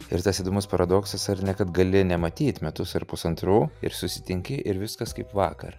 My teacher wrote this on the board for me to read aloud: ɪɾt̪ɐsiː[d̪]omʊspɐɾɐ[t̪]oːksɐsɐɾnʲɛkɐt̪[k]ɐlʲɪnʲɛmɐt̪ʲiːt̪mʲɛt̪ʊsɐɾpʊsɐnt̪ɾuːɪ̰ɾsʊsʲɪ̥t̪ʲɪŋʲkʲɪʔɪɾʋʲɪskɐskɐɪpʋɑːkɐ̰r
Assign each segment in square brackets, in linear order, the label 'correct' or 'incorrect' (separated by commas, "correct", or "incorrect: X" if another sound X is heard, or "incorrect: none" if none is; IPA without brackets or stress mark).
correct, incorrect: d̪, incorrect: ɡ